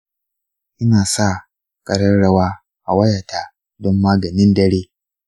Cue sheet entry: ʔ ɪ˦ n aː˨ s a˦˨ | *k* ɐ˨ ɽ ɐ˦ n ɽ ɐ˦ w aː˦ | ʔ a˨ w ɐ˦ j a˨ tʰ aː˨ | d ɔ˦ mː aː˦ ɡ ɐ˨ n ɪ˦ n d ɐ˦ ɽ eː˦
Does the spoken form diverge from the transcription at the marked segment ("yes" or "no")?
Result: yes